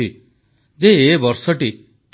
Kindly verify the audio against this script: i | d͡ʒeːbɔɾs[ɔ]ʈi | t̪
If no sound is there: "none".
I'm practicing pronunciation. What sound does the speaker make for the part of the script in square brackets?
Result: ɔ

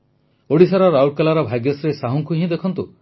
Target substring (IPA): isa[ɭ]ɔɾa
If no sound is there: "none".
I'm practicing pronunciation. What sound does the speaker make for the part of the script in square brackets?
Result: ɾ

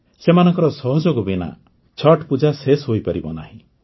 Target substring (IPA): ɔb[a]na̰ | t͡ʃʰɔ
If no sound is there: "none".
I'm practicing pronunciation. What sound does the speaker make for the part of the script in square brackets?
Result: i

